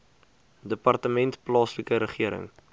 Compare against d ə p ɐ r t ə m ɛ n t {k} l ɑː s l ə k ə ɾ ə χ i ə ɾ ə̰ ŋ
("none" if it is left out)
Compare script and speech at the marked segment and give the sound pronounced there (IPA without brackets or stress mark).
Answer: p